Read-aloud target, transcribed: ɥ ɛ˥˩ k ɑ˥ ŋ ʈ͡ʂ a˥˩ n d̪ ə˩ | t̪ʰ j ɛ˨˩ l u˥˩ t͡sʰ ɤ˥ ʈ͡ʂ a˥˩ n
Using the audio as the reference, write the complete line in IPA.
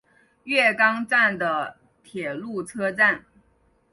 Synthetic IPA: ɥ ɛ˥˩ k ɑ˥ ŋ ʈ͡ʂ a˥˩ n d̪ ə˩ | t̪ʰ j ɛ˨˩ l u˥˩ t͡sʰ ɤ˥ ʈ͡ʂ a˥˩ n